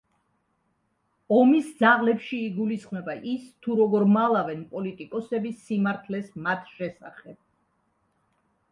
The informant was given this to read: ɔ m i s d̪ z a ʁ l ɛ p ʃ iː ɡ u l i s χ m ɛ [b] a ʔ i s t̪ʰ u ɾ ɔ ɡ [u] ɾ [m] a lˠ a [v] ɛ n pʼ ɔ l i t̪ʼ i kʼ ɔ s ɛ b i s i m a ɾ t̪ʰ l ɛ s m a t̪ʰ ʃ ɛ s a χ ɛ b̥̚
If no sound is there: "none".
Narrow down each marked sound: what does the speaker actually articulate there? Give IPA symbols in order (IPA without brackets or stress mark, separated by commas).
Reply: b, ɔ, m, v